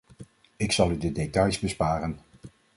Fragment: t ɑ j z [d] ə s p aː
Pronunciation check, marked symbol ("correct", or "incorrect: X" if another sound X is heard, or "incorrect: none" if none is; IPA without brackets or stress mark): incorrect: b